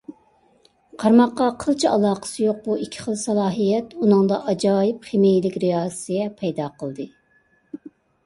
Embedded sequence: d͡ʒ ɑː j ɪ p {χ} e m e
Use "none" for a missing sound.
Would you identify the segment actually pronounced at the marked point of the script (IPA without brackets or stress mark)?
χ